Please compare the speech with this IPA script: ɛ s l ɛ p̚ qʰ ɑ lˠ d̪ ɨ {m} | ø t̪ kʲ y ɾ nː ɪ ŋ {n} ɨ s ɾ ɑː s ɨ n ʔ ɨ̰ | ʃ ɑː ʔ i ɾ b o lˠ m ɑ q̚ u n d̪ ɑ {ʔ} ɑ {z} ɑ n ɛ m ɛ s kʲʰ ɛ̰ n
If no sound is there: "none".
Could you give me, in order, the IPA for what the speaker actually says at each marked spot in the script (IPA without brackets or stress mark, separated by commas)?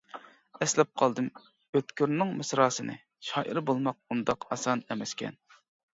m, m, q, s